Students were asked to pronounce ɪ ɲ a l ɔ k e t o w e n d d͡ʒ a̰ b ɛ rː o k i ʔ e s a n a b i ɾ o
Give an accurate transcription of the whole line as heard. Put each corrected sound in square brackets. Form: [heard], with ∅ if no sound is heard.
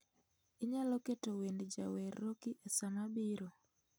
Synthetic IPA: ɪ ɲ a l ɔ k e t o w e n d d͡ʒ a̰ [w] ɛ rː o k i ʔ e s a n a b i ɾ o